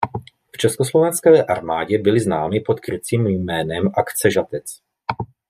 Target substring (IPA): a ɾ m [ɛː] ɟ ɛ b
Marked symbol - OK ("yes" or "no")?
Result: no